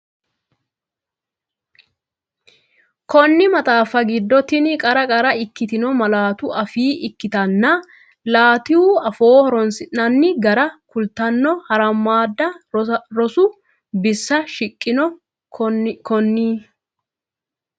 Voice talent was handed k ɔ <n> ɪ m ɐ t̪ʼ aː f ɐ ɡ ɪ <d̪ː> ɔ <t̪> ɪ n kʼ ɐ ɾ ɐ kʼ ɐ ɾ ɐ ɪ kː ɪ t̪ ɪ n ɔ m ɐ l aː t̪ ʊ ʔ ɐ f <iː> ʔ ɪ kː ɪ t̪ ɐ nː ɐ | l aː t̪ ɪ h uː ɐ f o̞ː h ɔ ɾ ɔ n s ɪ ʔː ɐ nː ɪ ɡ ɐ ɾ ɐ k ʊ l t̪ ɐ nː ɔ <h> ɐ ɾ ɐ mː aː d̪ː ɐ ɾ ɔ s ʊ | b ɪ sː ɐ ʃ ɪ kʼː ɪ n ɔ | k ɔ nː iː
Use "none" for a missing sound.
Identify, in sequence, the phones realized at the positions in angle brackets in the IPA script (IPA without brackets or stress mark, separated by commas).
nː, d̪ː, t̪, iː, h